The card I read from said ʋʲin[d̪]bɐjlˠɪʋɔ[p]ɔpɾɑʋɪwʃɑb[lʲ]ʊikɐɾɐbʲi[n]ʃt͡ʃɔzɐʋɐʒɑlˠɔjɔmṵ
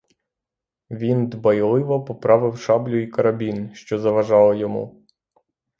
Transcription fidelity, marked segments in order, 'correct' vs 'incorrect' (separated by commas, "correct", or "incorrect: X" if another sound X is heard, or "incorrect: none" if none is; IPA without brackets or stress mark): correct, correct, correct, correct